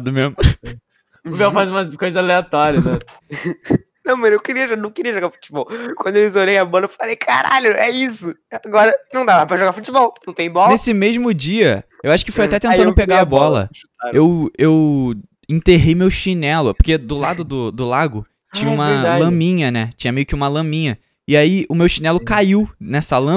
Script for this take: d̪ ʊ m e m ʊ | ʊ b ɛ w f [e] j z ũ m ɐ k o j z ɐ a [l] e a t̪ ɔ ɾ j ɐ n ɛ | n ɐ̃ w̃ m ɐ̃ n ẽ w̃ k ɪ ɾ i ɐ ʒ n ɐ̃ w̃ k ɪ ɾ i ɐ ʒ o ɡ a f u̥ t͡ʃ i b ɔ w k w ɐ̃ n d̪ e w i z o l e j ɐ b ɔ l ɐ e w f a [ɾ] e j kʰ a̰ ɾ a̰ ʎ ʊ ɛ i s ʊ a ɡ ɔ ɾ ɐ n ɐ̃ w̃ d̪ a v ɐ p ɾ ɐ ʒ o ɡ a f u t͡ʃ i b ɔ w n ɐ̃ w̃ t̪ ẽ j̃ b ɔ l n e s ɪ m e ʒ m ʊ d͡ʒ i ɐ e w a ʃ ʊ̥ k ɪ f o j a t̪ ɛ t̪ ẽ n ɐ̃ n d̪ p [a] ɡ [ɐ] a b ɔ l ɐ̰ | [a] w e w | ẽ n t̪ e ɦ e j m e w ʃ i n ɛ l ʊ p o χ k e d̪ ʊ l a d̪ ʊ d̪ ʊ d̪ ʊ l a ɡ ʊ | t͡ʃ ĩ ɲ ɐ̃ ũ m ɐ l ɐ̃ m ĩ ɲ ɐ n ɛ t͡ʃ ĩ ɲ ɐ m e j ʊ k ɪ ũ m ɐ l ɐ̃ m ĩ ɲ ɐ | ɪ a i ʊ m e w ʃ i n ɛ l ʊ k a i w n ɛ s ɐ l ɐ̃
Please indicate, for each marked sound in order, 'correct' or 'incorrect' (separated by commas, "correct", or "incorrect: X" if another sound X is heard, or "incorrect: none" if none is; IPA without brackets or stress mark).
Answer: incorrect: a, correct, incorrect: l, incorrect: e, incorrect: a, incorrect: e